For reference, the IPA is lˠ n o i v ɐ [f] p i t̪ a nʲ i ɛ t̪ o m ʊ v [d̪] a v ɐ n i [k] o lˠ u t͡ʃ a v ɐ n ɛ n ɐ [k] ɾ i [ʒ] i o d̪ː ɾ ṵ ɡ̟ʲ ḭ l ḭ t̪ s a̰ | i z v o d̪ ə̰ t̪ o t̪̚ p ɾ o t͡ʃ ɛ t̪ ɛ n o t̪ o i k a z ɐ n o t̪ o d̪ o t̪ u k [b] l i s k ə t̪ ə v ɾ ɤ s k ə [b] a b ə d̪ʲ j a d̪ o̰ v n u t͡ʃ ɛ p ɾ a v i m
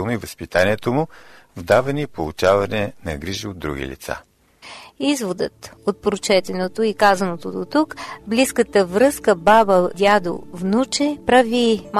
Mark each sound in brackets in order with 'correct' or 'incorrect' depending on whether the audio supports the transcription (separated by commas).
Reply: incorrect, correct, incorrect, incorrect, correct, correct, correct